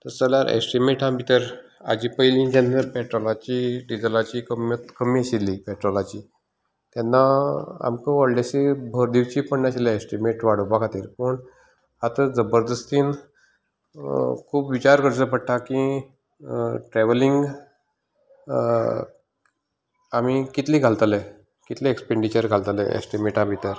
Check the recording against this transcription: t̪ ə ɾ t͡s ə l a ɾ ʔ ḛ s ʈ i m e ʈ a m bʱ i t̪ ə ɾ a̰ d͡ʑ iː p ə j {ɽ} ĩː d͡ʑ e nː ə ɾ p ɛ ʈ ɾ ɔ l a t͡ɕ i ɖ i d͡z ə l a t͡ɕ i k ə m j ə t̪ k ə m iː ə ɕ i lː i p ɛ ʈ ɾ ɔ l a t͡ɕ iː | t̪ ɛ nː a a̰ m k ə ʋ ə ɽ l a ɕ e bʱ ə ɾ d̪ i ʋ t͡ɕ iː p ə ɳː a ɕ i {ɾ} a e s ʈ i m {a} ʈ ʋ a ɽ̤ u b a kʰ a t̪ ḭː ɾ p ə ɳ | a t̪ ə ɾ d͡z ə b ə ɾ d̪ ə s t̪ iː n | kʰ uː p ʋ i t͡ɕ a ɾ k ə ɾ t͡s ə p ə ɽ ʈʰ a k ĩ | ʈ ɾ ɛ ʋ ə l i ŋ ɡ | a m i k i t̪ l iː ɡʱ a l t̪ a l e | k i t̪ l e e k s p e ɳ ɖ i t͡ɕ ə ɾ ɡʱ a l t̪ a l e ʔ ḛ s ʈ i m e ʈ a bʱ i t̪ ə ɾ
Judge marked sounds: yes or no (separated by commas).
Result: no, no, no